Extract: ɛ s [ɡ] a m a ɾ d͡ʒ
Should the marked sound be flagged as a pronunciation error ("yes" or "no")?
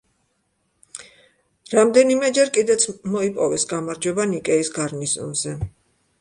no